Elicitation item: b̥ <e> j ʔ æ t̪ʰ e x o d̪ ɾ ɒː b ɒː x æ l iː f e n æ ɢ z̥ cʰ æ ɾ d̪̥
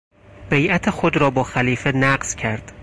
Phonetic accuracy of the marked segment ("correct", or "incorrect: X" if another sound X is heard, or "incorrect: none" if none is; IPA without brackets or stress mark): correct